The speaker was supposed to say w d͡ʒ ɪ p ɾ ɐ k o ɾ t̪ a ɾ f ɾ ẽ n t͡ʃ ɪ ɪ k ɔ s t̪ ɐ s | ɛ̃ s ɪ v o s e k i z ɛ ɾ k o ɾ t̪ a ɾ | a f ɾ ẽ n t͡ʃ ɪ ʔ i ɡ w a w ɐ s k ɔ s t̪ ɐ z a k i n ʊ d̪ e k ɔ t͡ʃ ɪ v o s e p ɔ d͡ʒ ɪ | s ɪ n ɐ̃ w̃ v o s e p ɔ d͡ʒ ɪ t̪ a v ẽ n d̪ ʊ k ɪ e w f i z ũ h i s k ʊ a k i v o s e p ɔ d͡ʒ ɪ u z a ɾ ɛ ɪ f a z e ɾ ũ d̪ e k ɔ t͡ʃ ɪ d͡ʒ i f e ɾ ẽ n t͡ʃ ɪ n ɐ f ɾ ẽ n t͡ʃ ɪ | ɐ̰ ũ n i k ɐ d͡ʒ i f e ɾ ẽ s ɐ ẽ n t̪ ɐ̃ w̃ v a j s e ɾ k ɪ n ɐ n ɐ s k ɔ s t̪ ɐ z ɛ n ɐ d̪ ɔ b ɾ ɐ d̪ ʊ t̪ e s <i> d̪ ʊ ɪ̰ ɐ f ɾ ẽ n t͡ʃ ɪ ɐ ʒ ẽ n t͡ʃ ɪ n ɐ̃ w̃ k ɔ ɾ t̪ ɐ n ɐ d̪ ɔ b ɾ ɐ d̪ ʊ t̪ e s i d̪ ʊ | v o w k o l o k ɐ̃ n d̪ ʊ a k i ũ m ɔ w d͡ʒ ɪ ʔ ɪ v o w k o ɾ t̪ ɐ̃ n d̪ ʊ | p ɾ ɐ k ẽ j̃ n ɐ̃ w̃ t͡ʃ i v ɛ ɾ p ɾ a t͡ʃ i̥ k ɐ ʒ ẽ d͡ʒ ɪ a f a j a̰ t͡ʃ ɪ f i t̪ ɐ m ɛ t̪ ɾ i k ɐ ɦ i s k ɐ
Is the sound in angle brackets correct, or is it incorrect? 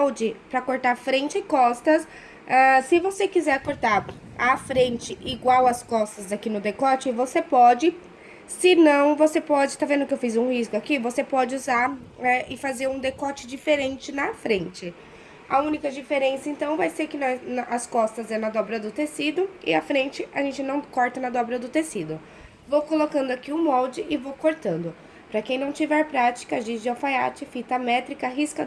correct